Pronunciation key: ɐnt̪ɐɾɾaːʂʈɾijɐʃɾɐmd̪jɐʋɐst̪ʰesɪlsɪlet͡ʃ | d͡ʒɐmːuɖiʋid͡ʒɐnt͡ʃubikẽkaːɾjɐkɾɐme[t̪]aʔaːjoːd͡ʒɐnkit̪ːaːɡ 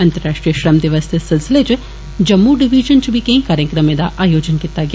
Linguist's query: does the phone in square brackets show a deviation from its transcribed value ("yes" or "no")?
yes